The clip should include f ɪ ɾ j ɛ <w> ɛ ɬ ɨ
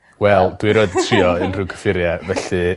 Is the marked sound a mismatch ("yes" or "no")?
yes